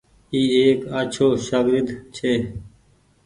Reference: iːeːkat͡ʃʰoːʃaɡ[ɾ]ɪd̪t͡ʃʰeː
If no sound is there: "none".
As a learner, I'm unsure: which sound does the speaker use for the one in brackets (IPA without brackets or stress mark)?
ɾ